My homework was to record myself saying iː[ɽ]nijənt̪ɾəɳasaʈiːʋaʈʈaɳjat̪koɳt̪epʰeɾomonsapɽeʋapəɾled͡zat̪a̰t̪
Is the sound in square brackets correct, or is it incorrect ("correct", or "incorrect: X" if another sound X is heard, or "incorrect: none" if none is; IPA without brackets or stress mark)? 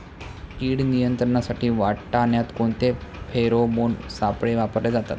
correct